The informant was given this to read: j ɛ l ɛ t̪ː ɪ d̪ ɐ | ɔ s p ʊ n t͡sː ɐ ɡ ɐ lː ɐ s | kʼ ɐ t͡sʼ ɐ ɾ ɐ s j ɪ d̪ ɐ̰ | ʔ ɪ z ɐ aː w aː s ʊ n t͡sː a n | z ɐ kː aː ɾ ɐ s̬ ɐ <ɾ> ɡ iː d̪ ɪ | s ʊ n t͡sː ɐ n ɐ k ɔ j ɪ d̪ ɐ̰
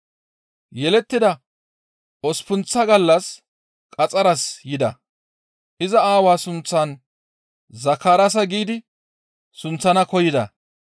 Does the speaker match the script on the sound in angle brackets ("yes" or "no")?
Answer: no